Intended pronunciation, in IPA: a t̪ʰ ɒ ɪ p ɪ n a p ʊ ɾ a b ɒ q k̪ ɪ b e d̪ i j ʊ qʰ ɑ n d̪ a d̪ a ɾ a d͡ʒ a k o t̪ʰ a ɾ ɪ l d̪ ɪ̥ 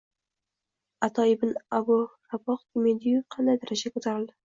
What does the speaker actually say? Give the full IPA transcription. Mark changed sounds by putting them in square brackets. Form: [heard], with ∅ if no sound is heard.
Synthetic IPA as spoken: a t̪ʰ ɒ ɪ [b] ɪ n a [b] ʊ ɾ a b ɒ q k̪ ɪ [m] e d̪ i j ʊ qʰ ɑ n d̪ a d̪ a ɾ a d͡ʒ a k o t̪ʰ a ɾ ɪ l d̪ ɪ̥

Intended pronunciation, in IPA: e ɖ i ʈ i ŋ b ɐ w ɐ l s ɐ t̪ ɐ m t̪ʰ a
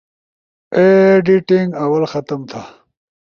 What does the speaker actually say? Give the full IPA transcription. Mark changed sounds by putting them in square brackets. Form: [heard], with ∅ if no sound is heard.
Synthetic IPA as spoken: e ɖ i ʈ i ŋ [ɡ] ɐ w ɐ l [x] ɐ t̪ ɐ m t̪ʰ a

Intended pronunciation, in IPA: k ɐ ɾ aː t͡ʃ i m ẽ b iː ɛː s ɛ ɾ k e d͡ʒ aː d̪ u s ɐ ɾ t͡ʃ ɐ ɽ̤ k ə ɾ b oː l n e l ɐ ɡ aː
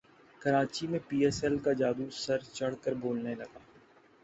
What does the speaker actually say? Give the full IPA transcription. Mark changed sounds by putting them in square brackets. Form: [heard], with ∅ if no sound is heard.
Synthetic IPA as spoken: k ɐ ɾ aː t͡ʃ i m ẽ [p] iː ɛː s ɛ [l] k [a] d͡ʒ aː d̪ u s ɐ ɾ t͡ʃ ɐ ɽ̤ k ə ɾ b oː l n e l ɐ ɡ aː

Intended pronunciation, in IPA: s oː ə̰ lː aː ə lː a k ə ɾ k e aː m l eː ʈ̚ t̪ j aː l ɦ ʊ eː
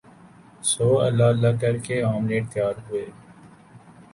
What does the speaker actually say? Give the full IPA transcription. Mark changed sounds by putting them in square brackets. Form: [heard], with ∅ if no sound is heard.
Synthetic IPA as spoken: s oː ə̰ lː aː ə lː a k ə ɾ k e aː m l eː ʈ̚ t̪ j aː [ɾ] ɦ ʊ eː

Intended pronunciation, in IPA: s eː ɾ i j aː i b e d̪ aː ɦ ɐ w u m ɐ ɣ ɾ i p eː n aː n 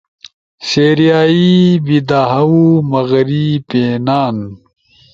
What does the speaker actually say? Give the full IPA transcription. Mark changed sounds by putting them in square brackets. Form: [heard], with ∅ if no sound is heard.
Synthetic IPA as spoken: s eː ɾ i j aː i b [i] d̪ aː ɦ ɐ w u m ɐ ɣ ɾ i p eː n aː n

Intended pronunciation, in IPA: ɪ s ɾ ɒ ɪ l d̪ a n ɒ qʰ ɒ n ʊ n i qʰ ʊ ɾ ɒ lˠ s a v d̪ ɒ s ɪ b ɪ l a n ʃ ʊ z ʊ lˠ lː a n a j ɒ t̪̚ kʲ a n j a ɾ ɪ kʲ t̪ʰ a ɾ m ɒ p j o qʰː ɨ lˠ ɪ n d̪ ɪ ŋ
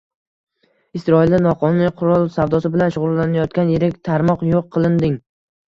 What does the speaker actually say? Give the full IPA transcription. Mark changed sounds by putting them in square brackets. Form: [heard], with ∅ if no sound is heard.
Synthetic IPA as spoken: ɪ s ɾ ɒ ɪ l d̪ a n ɒ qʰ ɒ n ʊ n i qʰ ʊ ɾ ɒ lˠ s a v d̪ ɒ s ɪ b ɪ l a n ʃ ʊ [ʁ] ʊ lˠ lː a n a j ɒ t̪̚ kʲ a n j [e] ɾ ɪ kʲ t̪ʰ a ɾ m ɒ [q] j o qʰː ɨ lˠ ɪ n d̪ ɪ ŋ

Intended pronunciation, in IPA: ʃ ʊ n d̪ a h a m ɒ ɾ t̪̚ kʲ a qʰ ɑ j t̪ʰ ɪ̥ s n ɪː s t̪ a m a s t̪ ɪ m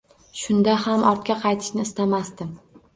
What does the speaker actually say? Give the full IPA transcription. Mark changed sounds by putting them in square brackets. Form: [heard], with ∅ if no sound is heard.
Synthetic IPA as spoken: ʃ ʊ n d̪ a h a m ɒ ɾ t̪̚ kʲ a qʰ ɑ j t̪ʰ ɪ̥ [ʃ] n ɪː s t̪ a m a s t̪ ɪ m

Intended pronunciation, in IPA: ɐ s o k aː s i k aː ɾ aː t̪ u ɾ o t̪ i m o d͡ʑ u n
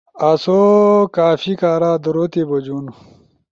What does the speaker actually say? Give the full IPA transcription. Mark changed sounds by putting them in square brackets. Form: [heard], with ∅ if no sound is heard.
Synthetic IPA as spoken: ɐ s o k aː [f] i k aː ɾ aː [d̪] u ɾ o t̪ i [b] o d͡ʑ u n

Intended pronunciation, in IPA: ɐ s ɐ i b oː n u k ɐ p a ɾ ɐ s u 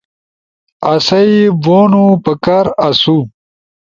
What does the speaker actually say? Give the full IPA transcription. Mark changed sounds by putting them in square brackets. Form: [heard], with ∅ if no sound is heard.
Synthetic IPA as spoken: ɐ s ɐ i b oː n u [p] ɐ [k] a ɾ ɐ s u

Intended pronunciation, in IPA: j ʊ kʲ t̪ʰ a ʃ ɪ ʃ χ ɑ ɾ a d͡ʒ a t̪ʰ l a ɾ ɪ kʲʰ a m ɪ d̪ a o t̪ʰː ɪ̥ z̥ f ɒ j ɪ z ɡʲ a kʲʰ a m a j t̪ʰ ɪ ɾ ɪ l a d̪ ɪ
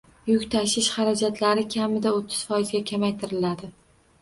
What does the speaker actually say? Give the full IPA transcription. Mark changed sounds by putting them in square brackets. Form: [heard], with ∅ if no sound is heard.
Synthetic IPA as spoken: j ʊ kʲ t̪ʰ a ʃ ɪ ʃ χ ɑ ɾ a d͡ʒ a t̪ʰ l a ɾ ɪ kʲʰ a m ɪ d̪ a o t̪ʰː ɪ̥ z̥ f ɒ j ɪ z ɡʲ a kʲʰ a m a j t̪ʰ ɪ ɾ ɪ l a d̪ ɪ

